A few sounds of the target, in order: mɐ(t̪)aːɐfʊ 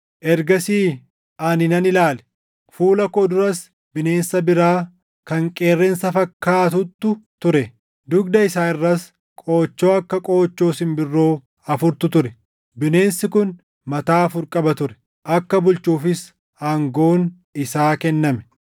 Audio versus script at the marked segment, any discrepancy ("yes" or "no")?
no